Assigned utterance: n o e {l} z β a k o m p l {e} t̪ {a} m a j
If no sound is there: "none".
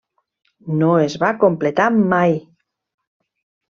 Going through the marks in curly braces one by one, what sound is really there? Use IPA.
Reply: none, e, a

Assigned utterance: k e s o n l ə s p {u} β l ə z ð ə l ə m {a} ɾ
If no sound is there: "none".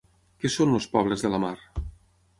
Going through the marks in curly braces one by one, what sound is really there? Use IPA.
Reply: ɔ, a

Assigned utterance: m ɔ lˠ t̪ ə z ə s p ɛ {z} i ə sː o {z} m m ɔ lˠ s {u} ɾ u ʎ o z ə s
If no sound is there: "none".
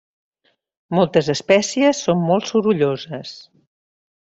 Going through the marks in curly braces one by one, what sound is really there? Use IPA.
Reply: s, none, u

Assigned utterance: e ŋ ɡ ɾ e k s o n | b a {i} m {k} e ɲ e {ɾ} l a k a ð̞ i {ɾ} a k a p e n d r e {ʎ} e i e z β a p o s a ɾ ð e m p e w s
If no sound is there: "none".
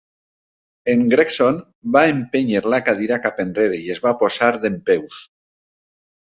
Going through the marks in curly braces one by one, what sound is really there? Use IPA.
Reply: e, p, ɾ, ɾ, ɾ

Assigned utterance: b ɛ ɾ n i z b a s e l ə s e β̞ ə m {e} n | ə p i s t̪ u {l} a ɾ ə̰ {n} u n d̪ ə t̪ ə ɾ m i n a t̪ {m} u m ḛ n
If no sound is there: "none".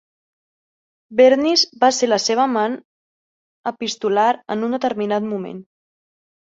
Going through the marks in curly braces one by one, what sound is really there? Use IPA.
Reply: a, l, n, m

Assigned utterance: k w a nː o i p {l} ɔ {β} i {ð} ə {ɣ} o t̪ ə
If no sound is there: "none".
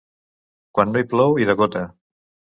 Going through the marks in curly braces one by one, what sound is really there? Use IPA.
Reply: l, w, ð, ɣ

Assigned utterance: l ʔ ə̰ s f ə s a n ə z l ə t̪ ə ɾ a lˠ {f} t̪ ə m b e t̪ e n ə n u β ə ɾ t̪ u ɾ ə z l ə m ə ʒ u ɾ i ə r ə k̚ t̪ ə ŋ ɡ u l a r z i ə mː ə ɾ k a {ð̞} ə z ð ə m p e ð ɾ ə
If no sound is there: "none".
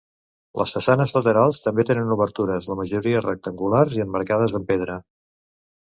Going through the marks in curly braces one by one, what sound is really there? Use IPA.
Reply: s, ð̞

